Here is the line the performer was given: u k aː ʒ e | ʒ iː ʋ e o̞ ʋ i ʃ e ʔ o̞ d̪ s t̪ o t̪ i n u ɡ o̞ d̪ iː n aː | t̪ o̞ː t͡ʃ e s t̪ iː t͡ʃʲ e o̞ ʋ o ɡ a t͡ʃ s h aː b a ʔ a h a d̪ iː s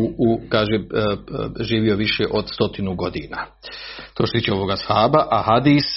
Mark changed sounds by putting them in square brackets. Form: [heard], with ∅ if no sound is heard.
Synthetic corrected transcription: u k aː ʒ e | ʒ iː ʋ [i] o̞ ʋ i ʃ e ʔ o̞ d̪ s t̪ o t̪ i n u ɡ o̞ d̪ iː n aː | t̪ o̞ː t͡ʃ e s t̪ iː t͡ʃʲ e o̞ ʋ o ɡ a [∅] s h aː b a ʔ a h a d̪ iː s